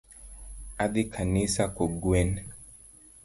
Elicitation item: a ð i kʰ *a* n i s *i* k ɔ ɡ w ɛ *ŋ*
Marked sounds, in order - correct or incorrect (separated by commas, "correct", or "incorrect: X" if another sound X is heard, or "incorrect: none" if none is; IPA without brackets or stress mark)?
correct, incorrect: a, incorrect: n